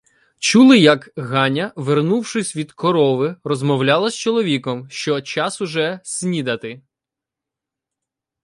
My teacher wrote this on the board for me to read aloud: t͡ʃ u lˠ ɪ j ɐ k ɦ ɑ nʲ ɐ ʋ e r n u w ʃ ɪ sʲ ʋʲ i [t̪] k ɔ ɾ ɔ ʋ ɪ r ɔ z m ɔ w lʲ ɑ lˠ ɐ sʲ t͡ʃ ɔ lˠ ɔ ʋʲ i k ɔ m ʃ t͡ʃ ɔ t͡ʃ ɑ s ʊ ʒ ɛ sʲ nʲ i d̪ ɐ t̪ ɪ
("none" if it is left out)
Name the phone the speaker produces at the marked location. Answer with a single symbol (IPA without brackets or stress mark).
d̪